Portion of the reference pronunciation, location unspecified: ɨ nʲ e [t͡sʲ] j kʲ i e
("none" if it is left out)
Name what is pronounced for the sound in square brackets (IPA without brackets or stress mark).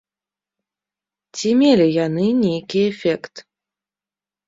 none